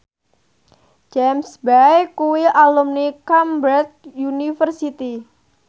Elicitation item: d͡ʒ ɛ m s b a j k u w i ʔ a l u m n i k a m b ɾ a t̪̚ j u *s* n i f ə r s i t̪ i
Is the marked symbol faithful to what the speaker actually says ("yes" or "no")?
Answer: no